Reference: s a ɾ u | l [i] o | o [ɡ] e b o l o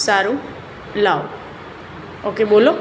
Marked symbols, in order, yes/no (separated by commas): no, no